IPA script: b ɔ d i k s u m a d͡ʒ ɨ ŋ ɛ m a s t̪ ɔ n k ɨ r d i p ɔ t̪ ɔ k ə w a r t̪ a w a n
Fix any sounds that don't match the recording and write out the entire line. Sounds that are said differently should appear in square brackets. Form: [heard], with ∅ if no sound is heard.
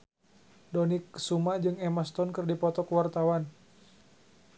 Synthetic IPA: [d] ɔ [n] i k s u m a d͡ʒ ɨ ŋ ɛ m a s t̪ ɔ n k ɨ r d i p ɔ t̪ ɔ k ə w a r t̪ a w a n